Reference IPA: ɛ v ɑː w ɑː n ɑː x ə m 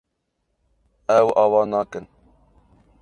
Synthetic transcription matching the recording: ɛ w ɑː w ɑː n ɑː k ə n